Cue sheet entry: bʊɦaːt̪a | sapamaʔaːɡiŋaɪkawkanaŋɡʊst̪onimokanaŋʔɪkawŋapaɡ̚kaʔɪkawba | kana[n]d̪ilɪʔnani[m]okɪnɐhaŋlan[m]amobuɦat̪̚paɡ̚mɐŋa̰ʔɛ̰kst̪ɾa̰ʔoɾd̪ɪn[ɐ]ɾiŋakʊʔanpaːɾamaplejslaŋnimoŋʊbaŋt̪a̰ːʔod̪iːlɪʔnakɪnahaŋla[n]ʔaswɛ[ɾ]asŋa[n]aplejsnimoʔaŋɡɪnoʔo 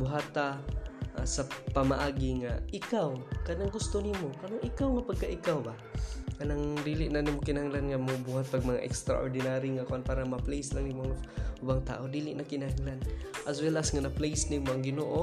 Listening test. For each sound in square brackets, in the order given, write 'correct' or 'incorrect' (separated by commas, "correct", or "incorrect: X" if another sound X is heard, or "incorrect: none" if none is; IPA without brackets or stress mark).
incorrect: ŋ, correct, incorrect: ŋ, incorrect: a, correct, incorrect: l, correct